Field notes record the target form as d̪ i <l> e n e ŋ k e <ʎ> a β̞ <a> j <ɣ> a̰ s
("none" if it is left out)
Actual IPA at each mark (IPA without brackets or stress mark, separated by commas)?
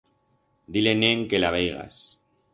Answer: l, l, e, ɣ